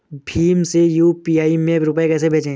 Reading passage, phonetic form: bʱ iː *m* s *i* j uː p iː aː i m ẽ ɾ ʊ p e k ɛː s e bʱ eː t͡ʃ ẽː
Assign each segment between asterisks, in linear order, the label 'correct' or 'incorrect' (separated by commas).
correct, incorrect